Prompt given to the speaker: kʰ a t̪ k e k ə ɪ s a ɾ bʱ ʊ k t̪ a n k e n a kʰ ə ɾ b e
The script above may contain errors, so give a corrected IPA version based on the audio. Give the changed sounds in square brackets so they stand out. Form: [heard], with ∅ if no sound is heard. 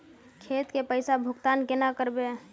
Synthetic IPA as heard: kʰ [e] t̪ k e [p] ə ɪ s a [∅] bʱ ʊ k t̪ a n k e n a [k] ə ɾ b e